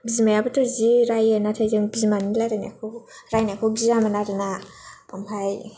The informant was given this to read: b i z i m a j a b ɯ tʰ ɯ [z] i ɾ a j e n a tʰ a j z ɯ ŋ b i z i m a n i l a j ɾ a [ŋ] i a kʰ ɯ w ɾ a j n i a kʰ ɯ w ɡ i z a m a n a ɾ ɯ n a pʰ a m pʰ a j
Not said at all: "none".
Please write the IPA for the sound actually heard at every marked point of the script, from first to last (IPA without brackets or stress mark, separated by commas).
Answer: z, n